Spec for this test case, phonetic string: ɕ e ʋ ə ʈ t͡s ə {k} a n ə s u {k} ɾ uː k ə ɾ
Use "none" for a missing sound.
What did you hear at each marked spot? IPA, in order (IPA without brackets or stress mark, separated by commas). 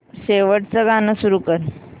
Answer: ɡ, none